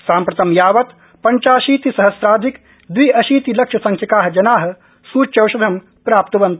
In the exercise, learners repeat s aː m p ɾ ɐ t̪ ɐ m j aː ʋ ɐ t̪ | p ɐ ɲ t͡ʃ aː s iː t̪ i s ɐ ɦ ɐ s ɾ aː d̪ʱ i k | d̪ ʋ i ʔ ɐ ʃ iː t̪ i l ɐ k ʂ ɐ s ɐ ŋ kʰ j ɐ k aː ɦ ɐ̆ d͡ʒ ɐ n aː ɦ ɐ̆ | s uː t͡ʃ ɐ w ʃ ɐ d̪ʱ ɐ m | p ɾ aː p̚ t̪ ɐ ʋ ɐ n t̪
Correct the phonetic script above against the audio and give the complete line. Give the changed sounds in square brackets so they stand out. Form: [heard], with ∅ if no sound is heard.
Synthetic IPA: s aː m p ɾ ɐ t̪ ɐ m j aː ʋ ɐ t̪ | p ɐ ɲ t͡ʃ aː [ʃ] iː t̪ i s ɐ ɦ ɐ s ɾ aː d̪ʱ i k | d̪ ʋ i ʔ ɐ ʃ iː t̪ i l ɐ k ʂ ɐ s ɐ ŋ kʰ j ɐ k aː ɦ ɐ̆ d͡ʒ ɐ n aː ɦ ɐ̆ | s uː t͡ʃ ɐ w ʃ ɐ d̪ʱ ɐ m | p ɾ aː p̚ t̪ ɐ ʋ ɐ n t̪

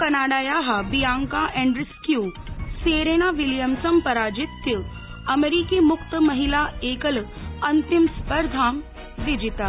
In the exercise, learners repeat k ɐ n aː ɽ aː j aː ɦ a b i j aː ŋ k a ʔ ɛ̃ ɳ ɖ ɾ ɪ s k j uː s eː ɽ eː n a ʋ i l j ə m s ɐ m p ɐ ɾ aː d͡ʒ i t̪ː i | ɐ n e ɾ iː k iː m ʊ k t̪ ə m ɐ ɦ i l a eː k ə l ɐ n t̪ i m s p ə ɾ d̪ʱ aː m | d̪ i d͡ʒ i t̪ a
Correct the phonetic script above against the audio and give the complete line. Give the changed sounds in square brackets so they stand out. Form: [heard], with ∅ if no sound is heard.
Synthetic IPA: k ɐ n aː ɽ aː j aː ɦ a b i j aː ŋ k a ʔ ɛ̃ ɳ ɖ ɾ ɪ s k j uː s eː [ɾ] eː n a ʋ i l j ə m s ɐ m p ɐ ɾ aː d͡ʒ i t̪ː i | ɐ [m] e ɾ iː k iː m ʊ k t̪ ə m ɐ ɦ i l a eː k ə l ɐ n t̪ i m s p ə ɾ d̪ʱ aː m | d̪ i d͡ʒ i t̪ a

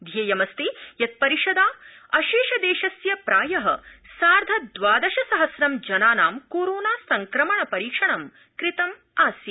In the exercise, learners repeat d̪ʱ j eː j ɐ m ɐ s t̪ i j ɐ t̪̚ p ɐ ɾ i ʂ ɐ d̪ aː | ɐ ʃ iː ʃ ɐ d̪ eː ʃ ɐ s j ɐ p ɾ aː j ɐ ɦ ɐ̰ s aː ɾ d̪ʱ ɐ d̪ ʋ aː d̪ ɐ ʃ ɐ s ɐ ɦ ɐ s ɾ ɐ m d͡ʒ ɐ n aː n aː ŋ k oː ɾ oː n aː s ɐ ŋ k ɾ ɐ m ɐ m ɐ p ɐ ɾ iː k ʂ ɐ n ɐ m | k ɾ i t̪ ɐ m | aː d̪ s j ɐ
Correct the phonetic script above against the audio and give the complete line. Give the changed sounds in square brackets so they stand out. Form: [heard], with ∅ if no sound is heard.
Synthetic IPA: d̪ʱ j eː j ɐ m ɐ s t̪ i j ɐ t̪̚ p ɐ ɾ i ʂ ɐ d̪ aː | ɐ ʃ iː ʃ ɐ d̪ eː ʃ ɐ s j ɐ p ɾ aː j ɐ ɦ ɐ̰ s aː ɾ d̪ʱ ɐ d̪ ʋ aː d̪ ɐ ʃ ɐ s ɐ ɦ ɐ s ɾ ɐ m d͡ʒ ɐ n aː n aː [m] k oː ɾ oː n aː s ɐ ŋ k ɾ ɐ m ɐ [ɳ] ɐ p ɐ ɾ iː k ʂ ɐ [ɳ] ɐ m | k ɾ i t̪ ɐ m | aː [∅] s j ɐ

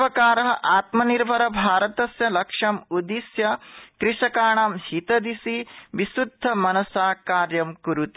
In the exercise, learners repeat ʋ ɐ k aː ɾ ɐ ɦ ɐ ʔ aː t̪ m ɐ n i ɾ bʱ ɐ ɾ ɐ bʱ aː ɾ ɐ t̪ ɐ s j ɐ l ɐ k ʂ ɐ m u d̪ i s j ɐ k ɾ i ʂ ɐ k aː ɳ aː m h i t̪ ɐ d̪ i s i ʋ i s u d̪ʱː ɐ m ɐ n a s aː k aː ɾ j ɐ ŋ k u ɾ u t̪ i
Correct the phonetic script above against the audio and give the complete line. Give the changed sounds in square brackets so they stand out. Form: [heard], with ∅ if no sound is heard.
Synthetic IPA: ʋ ɐ k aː ɾ ɐ ɦ ɐ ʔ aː t̪ m ɐ n i ɾ bʱ ɐ ɾ ɐ bʱ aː ɾ ɐ t̪ ɐ s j ɐ l ɐ k ʂ ɐ m u d̪ i s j ɐ k ɾ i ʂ ɐ k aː ɳ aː m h i t̪ ɐ d̪ i s i ʋ i s u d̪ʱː ɐ m ɐ n [ɐ] s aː k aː ɾ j ɐ [m] k u ɾ u t̪ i

